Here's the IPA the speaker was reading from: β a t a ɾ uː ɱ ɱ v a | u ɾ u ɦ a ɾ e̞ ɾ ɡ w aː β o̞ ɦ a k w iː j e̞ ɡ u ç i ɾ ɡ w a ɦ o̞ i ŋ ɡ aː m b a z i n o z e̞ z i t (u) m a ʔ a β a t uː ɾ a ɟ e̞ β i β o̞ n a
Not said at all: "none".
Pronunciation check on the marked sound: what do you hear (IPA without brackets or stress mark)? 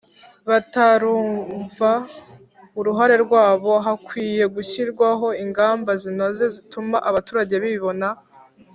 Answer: u